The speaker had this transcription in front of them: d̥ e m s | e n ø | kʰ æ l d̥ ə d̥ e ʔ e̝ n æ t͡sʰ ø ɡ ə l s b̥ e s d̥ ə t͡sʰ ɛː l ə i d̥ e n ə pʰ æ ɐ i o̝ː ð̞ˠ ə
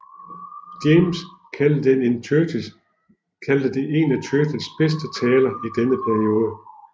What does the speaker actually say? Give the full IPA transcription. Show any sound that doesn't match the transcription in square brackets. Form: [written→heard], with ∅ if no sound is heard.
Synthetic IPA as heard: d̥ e m s | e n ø | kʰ æ l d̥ ə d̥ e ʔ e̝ n æ t͡sʰ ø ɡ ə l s b̥ e s d̥ ə t͡sʰ ɛː l [ə→ɐ] i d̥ e n ə pʰ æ ɐ i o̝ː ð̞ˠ ə

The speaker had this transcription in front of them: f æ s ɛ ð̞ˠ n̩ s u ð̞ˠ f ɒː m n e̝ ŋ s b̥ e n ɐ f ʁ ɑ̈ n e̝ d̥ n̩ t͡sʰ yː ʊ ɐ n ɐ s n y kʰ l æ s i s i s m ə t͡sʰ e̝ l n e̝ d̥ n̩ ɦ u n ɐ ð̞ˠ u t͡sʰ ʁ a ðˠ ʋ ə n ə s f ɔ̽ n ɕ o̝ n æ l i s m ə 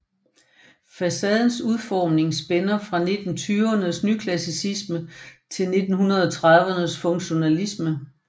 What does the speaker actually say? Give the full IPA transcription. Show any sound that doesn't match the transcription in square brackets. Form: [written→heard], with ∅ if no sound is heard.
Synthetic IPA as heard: f æ s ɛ ð̞ˠ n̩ s u ð̞ˠ f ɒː m n e̝ ŋ s b̥ e n ɐ f ʁ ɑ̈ n e̝ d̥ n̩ t͡sʰ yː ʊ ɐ n [ɐ→ə] s n y kʰ l æ s i s i s m ə t͡sʰ e̝ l n e̝ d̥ n̩ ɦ u n ɐ ð̞ˠ [u→ɒ] t͡sʰ ʁ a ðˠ ʋ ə n ə s f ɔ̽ [n→ŋ] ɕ o̝ n æ l i s m ə

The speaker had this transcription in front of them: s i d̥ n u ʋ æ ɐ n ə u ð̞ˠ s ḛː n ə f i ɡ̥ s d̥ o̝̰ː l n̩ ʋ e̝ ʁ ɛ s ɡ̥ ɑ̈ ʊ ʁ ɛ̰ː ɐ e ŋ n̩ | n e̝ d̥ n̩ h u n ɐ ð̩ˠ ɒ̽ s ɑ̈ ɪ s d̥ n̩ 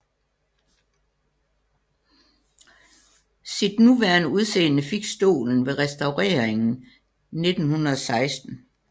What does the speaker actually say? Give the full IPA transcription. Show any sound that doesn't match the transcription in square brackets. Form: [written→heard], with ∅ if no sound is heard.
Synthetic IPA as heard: s i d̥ n u ʋ æ ɐ n ə u ð̞ˠ s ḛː n ə f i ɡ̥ s d̥ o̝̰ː l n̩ ʋ e̝ ʁ ɛ s [ɡ̥→d̥] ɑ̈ ʊ ʁ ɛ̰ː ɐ e ŋ n̩ | n e̝ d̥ n̩ h u n ɐ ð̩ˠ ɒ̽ s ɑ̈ ɪ s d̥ n̩

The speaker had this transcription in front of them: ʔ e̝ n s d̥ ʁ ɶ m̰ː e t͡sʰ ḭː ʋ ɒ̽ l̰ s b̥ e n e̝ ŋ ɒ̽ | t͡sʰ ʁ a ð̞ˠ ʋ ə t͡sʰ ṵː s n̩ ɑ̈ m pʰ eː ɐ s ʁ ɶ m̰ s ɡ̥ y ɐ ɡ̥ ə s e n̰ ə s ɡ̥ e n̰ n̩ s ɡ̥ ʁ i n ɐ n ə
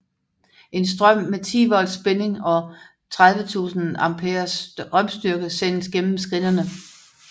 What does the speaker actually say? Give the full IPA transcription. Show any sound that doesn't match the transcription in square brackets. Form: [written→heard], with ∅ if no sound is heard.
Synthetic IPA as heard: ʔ e̝ n s d̥ ʁ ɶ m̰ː e t͡sʰ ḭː ʋ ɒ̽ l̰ s b̥ e n e̝ ŋ ɒ̽ | t͡sʰ ʁ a ð̞ˠ ʋ ə t͡sʰ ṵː s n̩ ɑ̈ m pʰ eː ɐ s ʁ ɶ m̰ s [ɡ̥→d̥] y ɐ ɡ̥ ə s e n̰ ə s ɡ̥ e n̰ [n̩→m̩] s ɡ̥ ʁ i n ɐ n ə

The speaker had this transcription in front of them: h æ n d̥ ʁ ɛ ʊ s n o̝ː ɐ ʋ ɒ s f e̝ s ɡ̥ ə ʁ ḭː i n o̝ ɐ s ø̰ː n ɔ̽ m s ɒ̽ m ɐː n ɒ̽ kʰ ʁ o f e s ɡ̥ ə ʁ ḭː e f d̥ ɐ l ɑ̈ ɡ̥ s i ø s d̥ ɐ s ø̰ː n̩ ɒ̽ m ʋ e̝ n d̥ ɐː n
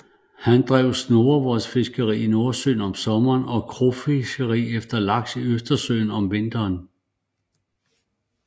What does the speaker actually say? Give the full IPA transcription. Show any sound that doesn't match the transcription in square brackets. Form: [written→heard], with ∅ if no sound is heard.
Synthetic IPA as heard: h æ n d̥ ʁ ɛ ʊ s n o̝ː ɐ ʋ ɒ s f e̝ s ɡ̥ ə ʁ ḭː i n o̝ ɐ s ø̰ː n [ɔ̽→ɒ̽] m s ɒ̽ m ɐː n ɒ̽ kʰ ʁ o f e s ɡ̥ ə ʁ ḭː e f d̥ ɐ l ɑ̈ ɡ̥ s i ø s d̥ ɐ s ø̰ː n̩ ɒ̽ m ʋ e̝ n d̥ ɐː n

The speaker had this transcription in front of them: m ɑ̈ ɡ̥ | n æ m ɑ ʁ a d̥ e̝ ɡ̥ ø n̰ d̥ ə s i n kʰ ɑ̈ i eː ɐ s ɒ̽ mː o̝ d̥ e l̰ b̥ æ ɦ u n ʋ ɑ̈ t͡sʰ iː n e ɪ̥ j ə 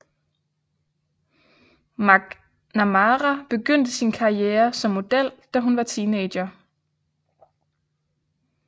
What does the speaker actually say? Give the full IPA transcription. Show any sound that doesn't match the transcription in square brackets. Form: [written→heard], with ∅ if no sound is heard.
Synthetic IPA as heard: m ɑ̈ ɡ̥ | n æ m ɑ ʁ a [d̥→b̥] e̝ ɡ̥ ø n̰ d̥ ə s i n kʰ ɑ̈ i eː ɐ s ɒ̽ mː o̝ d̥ e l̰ [b̥→d̥] æ ɦ u n ʋ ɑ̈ t͡sʰ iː n e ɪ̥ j [ə→ɐ]

